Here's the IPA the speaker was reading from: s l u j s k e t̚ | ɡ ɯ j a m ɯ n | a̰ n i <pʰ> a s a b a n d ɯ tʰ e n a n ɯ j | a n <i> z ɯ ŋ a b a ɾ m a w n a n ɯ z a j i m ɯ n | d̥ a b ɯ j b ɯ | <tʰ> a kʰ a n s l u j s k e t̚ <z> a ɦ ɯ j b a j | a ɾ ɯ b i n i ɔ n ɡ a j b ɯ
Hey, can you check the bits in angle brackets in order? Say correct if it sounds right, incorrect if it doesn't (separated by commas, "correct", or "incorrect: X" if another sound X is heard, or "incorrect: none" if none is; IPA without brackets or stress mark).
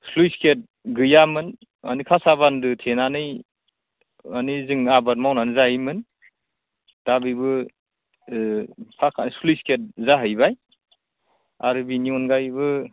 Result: incorrect: kʰ, correct, incorrect: pʰ, correct